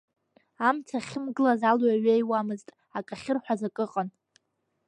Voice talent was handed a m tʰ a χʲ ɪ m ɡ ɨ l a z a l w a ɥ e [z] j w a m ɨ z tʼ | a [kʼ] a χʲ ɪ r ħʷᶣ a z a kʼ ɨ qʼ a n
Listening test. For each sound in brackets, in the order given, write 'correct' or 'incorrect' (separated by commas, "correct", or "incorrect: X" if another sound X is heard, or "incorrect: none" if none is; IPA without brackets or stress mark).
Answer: incorrect: none, correct